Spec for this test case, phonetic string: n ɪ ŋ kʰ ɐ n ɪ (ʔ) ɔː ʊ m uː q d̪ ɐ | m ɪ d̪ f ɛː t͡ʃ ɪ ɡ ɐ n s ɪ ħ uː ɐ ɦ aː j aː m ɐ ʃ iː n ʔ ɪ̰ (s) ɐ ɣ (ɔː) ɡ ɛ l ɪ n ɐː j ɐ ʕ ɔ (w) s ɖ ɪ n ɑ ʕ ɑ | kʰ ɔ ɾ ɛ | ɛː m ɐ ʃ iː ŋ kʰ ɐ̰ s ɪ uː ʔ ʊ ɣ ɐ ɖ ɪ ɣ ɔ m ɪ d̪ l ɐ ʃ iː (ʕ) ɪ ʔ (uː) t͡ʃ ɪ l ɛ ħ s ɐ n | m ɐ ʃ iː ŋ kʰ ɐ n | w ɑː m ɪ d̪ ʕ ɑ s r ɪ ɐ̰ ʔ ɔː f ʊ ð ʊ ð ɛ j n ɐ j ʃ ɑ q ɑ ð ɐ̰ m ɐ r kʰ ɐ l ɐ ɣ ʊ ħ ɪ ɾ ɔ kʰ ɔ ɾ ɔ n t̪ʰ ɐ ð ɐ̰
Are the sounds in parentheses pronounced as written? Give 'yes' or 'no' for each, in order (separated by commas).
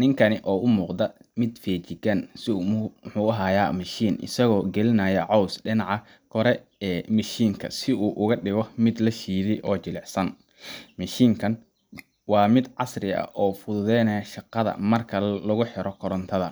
yes, yes, yes, yes, no, no